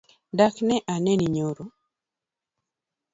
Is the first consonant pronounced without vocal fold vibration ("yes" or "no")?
no